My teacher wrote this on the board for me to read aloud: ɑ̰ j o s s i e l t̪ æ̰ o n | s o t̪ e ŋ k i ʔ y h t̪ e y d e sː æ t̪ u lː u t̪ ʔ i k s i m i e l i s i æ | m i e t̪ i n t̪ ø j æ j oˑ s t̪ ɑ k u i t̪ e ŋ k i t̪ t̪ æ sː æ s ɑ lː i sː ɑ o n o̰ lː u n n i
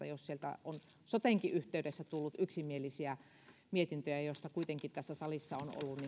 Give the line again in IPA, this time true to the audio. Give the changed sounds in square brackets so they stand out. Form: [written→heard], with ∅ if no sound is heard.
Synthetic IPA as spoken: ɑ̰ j o s s i e l t̪ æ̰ o n | s o t̪ e ŋ k i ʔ y h t̪ e y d e sː æ t̪ u lː u t̪ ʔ [i→y] k s i m i e l i s i æ | m i e t̪ i n t̪ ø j æ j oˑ s t̪ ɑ k u i t̪ e ŋ k i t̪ t̪ æ sː æ s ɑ [lː→l] i sː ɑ o n o̰ lː u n n i